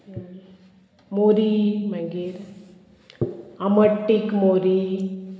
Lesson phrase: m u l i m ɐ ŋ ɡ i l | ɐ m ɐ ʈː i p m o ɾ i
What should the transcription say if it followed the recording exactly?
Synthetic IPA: m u ɾ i m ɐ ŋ ɡ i ɾ | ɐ m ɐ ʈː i k m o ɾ i